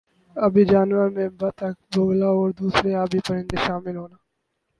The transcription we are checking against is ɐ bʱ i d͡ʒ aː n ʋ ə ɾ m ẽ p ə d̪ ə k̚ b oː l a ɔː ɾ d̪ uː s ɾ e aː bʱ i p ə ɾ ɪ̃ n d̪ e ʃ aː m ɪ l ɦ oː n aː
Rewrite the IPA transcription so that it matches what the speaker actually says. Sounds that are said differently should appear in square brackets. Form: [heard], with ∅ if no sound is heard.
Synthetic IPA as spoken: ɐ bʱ i d͡ʒ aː n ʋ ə ɾ m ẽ [b] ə [t̪] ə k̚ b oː l a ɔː ɾ d̪ uː s ɾ e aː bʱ i p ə ɾ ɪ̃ n d̪ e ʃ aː m ɪ l ɦ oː n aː